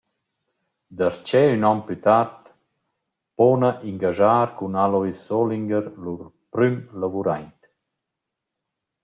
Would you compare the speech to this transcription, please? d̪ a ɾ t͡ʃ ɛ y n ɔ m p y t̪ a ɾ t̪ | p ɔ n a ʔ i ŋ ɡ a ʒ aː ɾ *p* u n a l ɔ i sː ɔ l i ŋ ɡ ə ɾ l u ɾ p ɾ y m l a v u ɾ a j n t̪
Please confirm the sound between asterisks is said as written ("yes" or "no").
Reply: no